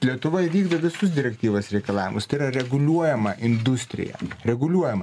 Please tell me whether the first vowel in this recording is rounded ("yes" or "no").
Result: no